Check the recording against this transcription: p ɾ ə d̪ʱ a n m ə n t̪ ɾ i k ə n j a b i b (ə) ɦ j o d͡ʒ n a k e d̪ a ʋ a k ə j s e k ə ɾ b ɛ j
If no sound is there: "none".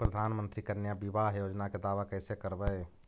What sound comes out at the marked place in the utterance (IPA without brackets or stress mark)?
a